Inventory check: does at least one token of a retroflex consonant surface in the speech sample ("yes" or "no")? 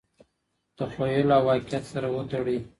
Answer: yes